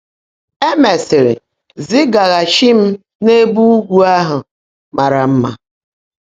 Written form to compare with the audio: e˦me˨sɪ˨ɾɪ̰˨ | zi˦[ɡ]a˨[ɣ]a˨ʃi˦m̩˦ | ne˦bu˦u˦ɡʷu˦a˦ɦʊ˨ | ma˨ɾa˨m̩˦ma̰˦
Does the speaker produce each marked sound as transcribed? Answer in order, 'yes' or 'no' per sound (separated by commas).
yes, yes